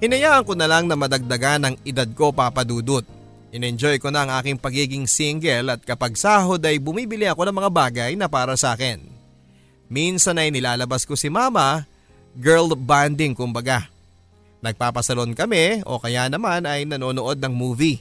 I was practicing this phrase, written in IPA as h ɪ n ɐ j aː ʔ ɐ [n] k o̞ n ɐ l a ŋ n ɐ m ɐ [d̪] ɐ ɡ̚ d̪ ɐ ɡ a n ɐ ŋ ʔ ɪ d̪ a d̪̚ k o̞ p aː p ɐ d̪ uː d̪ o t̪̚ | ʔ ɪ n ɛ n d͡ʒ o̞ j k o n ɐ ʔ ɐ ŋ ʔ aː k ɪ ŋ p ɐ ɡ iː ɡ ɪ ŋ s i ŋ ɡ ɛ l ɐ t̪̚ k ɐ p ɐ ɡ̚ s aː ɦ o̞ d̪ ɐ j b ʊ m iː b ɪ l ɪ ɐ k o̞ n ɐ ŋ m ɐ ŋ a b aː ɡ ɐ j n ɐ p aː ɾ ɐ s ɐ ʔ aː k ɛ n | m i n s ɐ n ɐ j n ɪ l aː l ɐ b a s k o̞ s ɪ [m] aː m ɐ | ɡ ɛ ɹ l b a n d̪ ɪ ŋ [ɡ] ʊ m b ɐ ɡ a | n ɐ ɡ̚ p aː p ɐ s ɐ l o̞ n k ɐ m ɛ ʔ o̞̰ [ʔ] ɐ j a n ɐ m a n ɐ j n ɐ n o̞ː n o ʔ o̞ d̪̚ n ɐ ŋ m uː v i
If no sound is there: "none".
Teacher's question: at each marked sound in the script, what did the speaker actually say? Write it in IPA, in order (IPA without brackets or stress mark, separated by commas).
ŋ, d̪, m, k, k